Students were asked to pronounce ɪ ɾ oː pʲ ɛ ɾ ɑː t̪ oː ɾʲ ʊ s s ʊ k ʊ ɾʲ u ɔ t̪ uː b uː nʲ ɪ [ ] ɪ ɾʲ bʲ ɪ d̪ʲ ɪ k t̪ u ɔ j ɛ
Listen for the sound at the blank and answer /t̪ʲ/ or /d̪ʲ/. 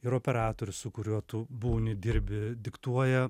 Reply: d̪ʲ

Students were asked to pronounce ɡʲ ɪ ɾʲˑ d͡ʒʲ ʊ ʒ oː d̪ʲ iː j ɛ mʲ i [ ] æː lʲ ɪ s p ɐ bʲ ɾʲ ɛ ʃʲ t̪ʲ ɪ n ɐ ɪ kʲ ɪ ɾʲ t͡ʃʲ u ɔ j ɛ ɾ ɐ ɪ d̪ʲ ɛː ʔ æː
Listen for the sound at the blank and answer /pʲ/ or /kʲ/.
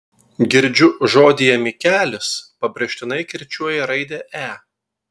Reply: kʲ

